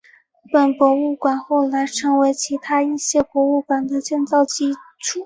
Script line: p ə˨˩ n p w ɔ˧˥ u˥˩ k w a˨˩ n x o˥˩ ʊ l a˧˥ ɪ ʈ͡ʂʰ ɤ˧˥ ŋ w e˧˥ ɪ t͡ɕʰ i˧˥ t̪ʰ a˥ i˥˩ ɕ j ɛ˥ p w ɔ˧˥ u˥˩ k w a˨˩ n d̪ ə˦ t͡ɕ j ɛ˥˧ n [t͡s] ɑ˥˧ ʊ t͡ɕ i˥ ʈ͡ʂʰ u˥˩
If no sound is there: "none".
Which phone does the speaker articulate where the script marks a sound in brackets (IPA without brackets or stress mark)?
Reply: t͡s